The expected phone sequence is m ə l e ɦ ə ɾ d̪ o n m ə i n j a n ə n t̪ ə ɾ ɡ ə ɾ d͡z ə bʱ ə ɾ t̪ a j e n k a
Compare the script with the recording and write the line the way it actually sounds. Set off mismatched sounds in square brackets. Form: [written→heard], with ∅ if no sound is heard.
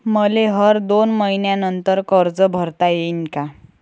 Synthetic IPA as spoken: m ə l e ɦ ə ɾ d̪ o n m ə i n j a n ə n t̪ ə ɾ [ɡ→k] ə ɾ d͡z ə bʱ ə ɾ t̪ a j e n k a